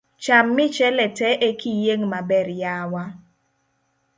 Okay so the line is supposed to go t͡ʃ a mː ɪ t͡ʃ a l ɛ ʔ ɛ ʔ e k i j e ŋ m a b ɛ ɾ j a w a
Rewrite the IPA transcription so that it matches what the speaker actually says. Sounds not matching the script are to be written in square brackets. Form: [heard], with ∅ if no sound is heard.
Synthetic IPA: t͡ʃ a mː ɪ t͡ʃ [ɛ] l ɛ [t] ɛ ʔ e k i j e ŋ m a b ɛ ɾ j a w a